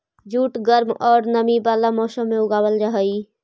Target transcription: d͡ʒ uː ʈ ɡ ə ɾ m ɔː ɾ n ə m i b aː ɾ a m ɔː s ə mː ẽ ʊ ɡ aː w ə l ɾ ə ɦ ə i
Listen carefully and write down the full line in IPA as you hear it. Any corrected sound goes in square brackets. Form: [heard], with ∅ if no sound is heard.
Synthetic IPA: d͡ʒ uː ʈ ɡ ə ɾ m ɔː ɾ n ə m i b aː [l] a m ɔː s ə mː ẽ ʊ ɡ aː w ə l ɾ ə ɦ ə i